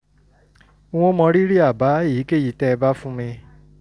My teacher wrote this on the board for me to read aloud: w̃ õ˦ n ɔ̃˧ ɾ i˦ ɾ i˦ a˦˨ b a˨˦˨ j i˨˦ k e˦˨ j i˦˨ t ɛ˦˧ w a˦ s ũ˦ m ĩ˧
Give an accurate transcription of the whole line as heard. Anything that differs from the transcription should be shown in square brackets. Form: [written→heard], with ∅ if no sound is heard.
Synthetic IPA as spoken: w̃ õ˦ [n→m] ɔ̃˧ ɾ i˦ ɾ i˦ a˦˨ b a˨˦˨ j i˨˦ k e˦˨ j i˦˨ t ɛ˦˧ [w→b] a˦ [s→f] ũ˦ m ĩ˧